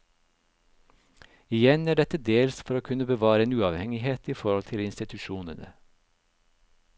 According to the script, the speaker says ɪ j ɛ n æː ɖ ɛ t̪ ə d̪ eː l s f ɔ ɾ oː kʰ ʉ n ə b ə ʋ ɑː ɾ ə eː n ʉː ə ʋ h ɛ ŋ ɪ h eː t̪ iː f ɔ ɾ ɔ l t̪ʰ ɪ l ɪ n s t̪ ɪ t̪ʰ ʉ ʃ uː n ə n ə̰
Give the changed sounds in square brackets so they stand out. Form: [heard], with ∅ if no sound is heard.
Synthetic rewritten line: ɪ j ɛ n æː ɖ ɛ t̪ ə d̪ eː l s f ɔ ɾ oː kʰ ʉ n ə b ə ʋ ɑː ɾ ə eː n ʉː [ɑ] ʋ h ɛ ŋ ɪ h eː t̪ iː f ɔ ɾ ɔ l t̪ʰ ɪ l ɪ n s t̪ ɪ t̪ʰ ʉ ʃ uː n ə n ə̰